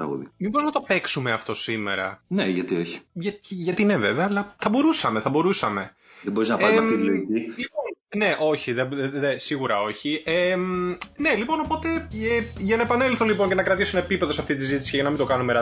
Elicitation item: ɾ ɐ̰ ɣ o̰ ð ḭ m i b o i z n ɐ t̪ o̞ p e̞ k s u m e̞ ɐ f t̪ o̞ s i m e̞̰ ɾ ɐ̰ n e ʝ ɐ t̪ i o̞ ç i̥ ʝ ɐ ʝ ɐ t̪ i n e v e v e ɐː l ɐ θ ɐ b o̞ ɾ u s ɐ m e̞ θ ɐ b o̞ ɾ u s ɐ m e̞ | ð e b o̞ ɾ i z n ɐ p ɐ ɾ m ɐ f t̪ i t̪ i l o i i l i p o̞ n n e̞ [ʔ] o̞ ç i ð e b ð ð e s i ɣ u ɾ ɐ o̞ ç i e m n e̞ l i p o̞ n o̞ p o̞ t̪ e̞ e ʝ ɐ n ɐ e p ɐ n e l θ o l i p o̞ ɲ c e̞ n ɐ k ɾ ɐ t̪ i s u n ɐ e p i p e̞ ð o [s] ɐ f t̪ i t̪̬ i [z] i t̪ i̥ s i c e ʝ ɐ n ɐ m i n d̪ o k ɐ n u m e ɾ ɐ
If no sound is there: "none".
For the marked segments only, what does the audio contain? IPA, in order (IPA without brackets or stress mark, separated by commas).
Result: ʔ, s, z